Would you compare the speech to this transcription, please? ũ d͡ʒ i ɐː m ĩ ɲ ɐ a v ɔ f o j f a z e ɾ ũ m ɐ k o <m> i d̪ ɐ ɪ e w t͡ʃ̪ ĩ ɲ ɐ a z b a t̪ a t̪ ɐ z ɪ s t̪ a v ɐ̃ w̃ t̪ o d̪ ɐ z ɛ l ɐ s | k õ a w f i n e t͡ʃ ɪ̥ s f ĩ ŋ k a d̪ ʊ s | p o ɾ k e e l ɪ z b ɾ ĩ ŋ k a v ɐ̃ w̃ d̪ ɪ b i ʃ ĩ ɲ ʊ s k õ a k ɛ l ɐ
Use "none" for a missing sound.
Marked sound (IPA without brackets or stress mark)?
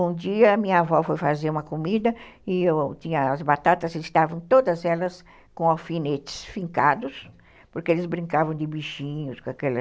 m